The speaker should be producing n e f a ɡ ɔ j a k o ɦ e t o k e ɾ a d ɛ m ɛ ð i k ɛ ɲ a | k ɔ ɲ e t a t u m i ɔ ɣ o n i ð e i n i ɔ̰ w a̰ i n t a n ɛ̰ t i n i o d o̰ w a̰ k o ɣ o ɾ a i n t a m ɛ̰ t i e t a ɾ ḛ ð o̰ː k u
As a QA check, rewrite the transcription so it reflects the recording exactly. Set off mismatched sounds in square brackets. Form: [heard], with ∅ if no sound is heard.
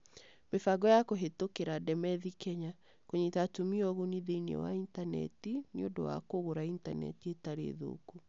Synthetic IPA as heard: [m] e f a ɡ ɔ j a k o ɦ e t o k e ɾ a d ɛ m ɛ ð i k ɛ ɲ a | k [o] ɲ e t a t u m i ɔ ɣ o n i ð e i n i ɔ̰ w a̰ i n t a n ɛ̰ t i n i o d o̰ w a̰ k o ɣ o ɾ a i n t a [n] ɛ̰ t i e t a ɾ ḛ ð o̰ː k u